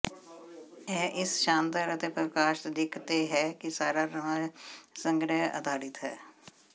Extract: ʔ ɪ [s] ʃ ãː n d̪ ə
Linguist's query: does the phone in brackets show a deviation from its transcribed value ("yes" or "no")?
no